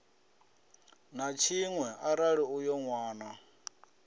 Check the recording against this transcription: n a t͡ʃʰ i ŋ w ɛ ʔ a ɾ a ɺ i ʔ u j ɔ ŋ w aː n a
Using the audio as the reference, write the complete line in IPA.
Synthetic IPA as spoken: n a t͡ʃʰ i ŋ w ɛ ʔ a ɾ a ɺ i u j ɔ ŋ w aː n a